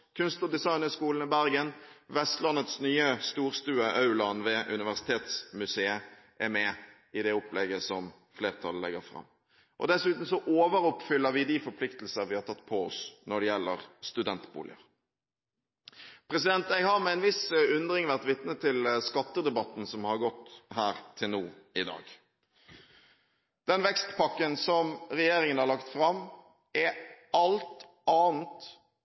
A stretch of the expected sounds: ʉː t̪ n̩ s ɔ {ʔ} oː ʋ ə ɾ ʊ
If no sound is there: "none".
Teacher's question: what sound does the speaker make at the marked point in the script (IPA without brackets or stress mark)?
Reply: ʔ